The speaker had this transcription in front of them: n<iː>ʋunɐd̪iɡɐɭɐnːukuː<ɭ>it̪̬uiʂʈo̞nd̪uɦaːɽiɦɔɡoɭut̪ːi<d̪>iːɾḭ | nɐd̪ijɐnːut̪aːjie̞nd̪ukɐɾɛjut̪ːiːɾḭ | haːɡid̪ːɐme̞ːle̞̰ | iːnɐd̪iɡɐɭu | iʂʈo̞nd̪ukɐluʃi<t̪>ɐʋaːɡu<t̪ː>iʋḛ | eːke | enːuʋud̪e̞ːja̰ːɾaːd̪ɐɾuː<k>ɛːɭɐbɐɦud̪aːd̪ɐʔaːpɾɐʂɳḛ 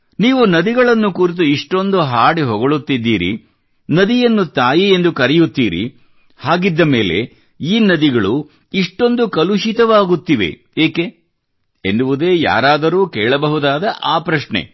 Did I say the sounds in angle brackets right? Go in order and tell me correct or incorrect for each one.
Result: correct, incorrect, incorrect, correct, correct, correct

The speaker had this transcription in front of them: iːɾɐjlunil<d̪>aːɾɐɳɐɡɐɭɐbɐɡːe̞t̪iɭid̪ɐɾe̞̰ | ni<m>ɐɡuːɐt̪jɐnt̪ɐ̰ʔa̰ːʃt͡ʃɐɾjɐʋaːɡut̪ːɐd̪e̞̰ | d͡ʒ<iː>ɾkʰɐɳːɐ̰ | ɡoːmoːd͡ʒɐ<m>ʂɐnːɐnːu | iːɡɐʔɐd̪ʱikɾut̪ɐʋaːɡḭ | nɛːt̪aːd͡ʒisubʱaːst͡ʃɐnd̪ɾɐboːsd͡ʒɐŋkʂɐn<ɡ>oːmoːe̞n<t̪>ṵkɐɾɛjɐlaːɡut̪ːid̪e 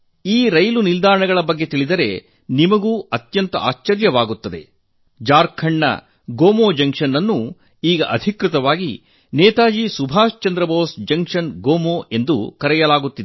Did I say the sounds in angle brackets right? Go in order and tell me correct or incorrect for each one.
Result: correct, correct, incorrect, incorrect, correct, incorrect

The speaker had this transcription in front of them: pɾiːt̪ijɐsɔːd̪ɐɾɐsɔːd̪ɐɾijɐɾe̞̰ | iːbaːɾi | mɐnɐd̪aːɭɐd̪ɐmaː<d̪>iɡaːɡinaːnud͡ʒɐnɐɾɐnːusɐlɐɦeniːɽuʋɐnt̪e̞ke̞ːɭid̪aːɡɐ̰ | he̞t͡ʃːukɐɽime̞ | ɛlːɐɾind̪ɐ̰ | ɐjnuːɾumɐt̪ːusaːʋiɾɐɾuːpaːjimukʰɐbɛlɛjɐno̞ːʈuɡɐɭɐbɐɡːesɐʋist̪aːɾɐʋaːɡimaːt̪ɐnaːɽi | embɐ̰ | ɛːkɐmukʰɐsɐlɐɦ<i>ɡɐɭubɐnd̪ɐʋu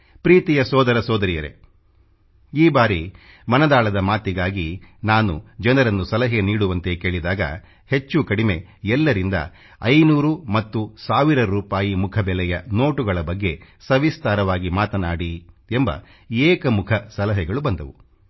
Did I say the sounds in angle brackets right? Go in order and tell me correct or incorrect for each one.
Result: incorrect, incorrect

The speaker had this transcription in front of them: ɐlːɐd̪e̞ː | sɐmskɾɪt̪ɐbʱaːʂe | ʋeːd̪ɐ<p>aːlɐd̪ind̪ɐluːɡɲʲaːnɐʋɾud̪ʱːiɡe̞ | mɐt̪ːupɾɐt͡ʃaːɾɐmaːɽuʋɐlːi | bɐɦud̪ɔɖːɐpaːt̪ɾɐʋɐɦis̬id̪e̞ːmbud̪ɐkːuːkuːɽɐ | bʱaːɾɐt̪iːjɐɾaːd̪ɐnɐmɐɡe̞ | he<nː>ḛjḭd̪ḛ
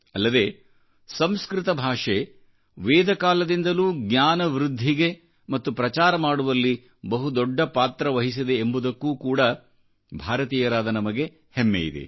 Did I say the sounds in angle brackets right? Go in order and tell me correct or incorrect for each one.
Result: incorrect, incorrect

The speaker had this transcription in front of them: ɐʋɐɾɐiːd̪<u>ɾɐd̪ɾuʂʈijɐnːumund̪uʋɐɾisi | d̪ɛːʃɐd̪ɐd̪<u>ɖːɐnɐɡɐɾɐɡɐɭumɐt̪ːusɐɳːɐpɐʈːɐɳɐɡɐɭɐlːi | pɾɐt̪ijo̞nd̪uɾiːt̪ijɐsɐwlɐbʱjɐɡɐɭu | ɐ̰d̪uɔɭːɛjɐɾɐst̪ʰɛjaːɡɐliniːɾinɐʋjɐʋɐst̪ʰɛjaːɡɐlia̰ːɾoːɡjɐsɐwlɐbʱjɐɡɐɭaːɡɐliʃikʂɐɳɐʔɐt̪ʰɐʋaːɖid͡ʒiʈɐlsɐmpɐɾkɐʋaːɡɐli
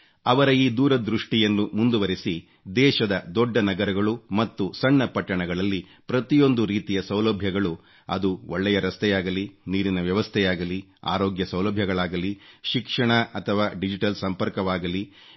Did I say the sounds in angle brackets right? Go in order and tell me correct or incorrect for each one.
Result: incorrect, incorrect

